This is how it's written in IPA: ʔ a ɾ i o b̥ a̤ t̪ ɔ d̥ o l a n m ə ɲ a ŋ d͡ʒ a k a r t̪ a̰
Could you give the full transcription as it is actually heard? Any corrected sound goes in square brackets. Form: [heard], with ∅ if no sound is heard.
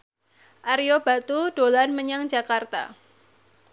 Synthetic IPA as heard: ʔ a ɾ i o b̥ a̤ t̪ [u] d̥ o l a n m ə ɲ a ŋ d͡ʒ a k a r t̪ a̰

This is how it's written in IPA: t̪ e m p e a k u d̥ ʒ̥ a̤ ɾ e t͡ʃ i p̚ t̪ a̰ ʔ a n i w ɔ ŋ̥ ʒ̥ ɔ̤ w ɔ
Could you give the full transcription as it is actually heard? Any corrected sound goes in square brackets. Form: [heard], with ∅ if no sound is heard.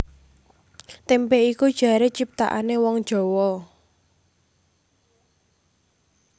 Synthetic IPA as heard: t̪ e m p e [i] k u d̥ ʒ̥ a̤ ɾ e t͡ʃ i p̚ t̪ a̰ ʔ a n [e] w ɔ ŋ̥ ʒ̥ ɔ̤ w ɔ

